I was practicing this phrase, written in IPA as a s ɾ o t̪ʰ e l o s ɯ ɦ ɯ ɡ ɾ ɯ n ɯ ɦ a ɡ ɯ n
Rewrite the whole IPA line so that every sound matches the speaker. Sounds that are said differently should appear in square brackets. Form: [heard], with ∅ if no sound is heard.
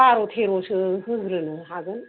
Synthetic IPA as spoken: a [∅] ɾ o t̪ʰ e [ɾ] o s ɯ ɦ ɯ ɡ ɾ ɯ n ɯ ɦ a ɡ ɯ n